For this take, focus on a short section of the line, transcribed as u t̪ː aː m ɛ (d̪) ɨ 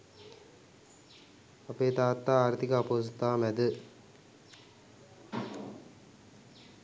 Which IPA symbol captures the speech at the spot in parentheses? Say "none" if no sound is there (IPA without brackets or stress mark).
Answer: d̪